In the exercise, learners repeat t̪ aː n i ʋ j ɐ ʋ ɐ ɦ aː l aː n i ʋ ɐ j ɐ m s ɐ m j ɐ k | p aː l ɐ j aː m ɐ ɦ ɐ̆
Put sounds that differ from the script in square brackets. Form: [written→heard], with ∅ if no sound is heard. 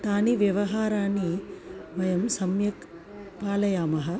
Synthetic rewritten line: t̪ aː n i ʋ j ɐ ʋ ɐ ɦ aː [l→ɾ] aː n i ʋ ɐ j ɐ m s ɐ m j ɐ k | p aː l ɐ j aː m ɐ ɦ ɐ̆